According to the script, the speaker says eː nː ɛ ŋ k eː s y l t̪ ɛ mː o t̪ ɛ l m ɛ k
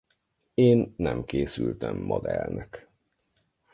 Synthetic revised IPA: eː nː ɛ m k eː s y l t̪ ɛ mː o d̪ ɛ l n ɛ k